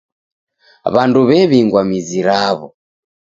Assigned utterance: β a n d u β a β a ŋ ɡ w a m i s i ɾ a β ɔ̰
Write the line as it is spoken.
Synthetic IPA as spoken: β a n d u β ɛ β i ŋ ɡ w a m i z i ɾ a β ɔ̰